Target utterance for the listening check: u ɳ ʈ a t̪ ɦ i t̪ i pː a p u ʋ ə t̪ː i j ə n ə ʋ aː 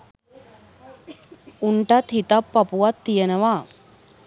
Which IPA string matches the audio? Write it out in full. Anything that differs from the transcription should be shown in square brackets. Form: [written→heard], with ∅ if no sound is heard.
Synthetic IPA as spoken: u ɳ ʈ a t̪ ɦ i t̪ [i→a] pː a p u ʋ [ə→a] t̪ː i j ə n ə ʋ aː

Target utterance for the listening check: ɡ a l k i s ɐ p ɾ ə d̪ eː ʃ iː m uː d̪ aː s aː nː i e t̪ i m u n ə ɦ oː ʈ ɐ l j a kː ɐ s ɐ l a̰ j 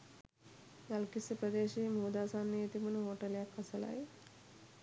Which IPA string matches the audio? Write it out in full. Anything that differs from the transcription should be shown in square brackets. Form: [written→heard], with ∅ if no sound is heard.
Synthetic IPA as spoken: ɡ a l k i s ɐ p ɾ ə d̪ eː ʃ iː m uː d̪ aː s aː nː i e t̪ i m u n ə ɦ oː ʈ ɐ l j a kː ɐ s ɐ l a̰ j

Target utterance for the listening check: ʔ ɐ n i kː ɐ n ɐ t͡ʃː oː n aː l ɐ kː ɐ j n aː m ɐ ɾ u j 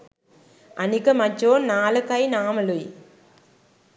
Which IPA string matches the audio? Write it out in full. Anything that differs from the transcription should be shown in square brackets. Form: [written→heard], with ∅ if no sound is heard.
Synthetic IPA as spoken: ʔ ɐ n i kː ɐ [n→m] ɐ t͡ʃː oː n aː l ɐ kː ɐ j n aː m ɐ [ɾ→l] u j

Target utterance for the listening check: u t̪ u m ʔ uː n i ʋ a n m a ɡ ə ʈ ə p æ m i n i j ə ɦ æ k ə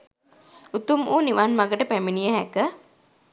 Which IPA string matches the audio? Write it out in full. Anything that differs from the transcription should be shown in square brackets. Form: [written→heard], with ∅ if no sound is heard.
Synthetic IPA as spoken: u t̪ u m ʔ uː n i ʋ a n m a ɡ ə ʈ ə p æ m i n i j ə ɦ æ k ə

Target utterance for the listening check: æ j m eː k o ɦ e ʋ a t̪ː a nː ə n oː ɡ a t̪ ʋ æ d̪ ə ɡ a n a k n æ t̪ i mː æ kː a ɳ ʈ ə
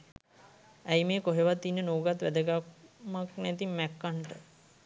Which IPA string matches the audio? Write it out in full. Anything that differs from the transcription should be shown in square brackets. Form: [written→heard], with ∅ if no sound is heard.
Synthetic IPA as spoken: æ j m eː k o ɦ e ʋ a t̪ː [a→i] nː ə n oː ɡ a t̪ ʋ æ d̪ ə ɡ a [n→m] a k n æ t̪ i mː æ kː a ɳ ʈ ə

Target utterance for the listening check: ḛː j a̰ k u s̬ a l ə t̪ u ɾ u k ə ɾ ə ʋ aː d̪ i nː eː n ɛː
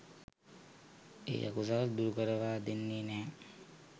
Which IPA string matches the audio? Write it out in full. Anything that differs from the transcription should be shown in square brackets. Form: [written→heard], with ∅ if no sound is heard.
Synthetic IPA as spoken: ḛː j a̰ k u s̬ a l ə [t̪→d̪] u ɾ u k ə ɾ ə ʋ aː d̪ [i→e] nː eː n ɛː

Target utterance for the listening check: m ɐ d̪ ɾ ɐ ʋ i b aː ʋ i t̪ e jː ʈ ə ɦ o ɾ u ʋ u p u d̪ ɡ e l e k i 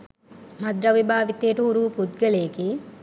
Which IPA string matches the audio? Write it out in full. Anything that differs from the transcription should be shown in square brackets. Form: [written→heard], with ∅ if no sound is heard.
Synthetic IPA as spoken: m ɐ d̪ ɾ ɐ ʋ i b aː ʋ i t̪ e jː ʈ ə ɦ [o→u] ɾ u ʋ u p u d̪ ɡ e l e k i

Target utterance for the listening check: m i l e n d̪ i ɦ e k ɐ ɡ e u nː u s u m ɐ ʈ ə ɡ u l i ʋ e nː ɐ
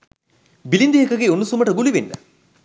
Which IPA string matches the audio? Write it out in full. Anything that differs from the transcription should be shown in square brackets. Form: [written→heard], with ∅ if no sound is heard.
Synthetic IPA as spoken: [m→b] i l [e→i] n d̪ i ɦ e k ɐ ɡ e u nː u s u m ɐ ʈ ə ɡ u l i ʋ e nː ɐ

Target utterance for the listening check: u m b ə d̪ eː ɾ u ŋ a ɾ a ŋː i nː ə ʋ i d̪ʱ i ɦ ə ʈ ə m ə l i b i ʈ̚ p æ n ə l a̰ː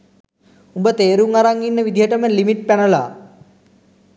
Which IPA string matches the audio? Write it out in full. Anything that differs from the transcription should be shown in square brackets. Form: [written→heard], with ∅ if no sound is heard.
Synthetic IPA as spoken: u m b ə [d̪→t̪] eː ɾ u ŋ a ɾ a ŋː i nː ə ʋ i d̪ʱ i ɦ ə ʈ ə m ə l i [b→m] i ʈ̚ p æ n ə l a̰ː

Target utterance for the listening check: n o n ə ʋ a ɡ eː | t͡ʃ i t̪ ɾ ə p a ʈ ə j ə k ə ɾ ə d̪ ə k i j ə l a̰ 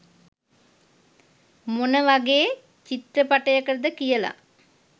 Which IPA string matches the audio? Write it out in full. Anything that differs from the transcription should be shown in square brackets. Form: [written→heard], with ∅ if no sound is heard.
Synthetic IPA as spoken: [n→m] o n ə ʋ a ɡ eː | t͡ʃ i t̪ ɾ ə p a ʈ ə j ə k ə ɾ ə d̪ ə k i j ə l a̰

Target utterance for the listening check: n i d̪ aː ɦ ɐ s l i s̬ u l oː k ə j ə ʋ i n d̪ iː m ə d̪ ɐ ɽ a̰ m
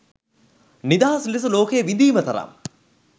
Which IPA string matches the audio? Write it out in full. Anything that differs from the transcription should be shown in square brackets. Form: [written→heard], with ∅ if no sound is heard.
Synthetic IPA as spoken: n i d̪ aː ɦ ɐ s l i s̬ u l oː k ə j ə ʋ i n d̪ iː m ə [d̪→t̪] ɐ [ɽ→ɾ] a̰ m

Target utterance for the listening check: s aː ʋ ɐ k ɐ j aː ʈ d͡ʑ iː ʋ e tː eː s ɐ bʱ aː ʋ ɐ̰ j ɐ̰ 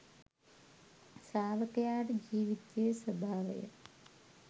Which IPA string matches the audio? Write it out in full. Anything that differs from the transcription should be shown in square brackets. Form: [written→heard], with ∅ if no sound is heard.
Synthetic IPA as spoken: s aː ʋ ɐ k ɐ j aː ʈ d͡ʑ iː ʋ [e→i] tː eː s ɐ bʱ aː ʋ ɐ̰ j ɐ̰

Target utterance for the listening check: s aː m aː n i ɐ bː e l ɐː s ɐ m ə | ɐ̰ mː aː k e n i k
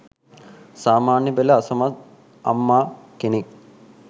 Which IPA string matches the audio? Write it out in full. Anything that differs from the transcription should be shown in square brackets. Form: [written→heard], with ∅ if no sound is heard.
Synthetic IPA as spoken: s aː m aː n [i→j] ɐ [bː→b] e l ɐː s ɐ m [ə→ɐ] | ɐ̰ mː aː k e n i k

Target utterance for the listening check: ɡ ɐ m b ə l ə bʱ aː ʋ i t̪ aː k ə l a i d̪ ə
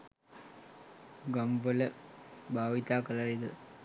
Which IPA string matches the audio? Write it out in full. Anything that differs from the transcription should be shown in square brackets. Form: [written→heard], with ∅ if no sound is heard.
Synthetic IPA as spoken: ɡ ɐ m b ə l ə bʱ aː ʋ i t̪ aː k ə l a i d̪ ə

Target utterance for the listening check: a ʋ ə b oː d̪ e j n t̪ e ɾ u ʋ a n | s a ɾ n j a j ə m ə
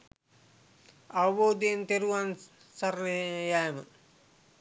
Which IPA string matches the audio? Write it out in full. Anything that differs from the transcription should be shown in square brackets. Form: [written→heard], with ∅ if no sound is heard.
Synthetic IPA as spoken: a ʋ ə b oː d̪ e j n t̪ e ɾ u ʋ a n | s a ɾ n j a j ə m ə

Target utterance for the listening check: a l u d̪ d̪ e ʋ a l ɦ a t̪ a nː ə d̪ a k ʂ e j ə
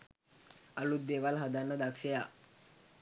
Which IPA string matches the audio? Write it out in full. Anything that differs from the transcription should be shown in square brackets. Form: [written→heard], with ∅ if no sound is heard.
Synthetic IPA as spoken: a l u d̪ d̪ e ʋ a l ɦ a [t̪→d̪] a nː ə d̪ a k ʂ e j [ə→a]

